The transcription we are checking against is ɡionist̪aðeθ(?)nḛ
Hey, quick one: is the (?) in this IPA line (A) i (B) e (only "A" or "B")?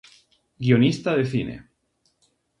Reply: A